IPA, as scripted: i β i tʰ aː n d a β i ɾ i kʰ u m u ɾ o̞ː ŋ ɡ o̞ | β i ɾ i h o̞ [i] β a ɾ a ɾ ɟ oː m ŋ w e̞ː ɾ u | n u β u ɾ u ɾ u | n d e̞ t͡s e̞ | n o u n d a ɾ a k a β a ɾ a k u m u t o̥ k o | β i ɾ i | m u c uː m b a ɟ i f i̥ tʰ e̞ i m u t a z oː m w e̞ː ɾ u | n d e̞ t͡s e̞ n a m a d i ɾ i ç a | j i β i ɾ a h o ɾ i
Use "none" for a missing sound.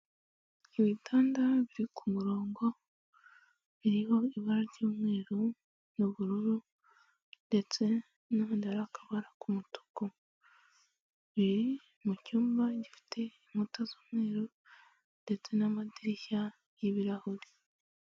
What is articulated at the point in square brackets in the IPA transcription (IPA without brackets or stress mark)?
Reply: i